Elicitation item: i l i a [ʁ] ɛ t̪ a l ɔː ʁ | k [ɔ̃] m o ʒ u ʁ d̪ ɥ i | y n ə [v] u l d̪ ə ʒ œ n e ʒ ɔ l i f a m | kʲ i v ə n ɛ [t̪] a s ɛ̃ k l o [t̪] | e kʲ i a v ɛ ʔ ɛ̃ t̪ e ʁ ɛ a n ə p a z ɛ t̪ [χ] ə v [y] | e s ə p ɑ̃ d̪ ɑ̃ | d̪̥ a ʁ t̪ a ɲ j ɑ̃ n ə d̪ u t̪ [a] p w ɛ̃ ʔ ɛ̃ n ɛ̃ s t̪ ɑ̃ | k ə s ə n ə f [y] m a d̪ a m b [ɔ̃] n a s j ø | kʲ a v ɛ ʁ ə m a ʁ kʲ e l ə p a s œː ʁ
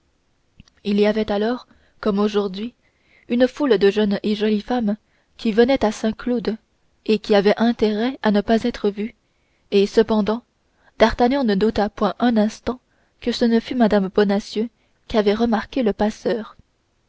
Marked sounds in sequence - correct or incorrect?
incorrect, incorrect, incorrect, correct, incorrect, correct, correct, correct, correct, incorrect

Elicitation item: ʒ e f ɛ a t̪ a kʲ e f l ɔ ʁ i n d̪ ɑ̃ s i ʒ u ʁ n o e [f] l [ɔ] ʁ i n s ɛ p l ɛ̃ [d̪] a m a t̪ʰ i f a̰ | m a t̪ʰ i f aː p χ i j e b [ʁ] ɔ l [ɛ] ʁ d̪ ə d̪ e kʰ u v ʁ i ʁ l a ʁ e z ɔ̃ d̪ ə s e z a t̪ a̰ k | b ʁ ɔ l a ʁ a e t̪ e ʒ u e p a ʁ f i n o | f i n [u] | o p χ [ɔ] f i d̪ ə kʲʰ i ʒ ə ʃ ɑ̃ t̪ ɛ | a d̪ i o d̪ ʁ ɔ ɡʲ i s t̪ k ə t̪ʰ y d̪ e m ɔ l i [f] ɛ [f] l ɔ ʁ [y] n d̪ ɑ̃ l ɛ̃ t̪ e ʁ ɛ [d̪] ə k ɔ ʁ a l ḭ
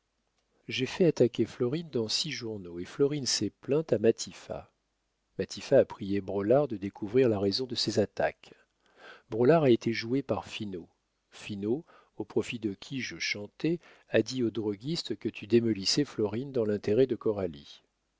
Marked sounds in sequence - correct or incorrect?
correct, correct, incorrect, correct, incorrect, incorrect, correct, incorrect, correct, incorrect, correct

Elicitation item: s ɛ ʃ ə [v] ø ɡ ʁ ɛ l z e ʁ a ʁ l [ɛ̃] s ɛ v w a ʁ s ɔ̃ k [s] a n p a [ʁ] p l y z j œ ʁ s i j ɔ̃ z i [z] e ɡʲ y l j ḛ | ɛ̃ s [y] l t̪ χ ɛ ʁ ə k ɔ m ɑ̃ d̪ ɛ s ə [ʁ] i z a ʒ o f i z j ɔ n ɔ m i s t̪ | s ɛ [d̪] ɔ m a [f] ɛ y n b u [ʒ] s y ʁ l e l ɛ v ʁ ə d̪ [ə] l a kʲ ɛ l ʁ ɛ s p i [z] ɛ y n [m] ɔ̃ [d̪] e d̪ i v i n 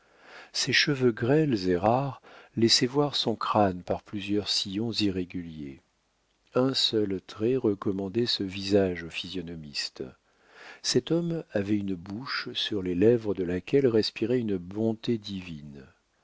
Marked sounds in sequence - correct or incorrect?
correct, incorrect, incorrect, correct, incorrect, incorrect, incorrect, incorrect, incorrect, incorrect, correct, incorrect, incorrect, incorrect

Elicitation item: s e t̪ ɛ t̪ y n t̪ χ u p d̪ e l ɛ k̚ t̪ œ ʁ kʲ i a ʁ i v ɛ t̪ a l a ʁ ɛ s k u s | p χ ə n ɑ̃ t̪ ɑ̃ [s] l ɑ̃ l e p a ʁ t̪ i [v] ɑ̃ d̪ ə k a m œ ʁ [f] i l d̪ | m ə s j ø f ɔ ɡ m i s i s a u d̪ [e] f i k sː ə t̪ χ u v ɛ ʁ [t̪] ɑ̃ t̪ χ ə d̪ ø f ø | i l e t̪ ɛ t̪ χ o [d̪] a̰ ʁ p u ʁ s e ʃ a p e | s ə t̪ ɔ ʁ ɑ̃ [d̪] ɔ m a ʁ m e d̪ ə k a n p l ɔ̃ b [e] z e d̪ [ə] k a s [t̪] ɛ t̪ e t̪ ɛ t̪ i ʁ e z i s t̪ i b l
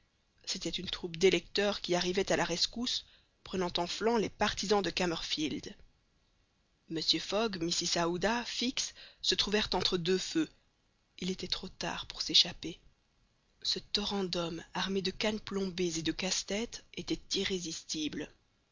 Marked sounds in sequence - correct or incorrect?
incorrect, incorrect, correct, incorrect, correct, incorrect, correct, correct, correct, correct

